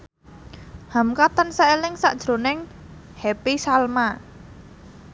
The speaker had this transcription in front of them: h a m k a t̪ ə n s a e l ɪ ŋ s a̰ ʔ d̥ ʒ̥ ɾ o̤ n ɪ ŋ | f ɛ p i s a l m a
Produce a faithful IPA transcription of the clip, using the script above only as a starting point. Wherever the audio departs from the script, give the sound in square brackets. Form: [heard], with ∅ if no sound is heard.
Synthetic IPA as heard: h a m k a t̪ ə n s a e l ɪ ŋ s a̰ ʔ d̥ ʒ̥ ɾ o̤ n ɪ ŋ | [h] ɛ p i s a l m a